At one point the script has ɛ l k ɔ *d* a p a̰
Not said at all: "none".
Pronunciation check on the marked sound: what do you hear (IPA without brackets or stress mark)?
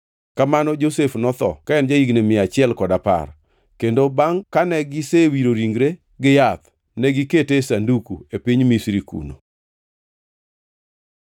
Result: d